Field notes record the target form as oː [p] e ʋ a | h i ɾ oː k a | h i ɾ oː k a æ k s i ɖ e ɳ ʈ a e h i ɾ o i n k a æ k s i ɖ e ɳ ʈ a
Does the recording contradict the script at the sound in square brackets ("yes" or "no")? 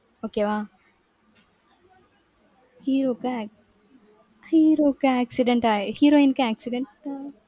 yes